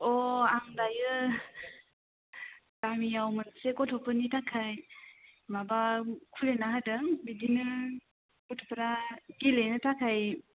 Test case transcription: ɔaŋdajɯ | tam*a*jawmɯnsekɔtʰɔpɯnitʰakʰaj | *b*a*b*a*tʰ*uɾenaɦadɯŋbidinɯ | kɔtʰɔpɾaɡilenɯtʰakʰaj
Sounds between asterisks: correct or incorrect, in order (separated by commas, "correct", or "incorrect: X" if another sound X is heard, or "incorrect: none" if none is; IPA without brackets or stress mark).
incorrect: i, incorrect: m, correct, incorrect: kʰ